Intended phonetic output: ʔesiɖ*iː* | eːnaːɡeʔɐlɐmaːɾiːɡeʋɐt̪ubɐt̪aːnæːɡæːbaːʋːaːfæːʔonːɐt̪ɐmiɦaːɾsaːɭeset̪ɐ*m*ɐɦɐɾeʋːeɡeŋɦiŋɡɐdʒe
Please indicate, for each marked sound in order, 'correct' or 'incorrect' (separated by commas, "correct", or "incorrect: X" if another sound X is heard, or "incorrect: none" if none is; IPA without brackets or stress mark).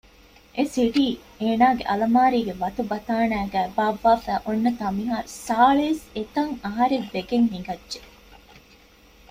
correct, incorrect: ŋ